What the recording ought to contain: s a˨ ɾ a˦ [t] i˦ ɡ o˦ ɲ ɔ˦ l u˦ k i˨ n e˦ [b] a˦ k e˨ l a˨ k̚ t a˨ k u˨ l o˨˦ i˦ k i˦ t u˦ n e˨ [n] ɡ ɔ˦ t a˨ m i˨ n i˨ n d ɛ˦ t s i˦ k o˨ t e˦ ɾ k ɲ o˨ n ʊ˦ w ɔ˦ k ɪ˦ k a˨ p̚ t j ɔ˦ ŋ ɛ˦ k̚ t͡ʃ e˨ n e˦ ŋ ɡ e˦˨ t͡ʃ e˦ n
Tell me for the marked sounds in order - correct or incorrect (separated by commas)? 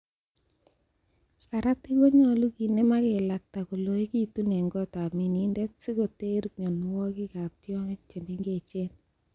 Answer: correct, incorrect, incorrect